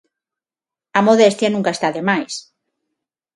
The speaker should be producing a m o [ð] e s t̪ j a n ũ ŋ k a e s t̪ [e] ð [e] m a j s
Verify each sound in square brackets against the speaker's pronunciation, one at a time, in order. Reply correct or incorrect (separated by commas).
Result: correct, incorrect, correct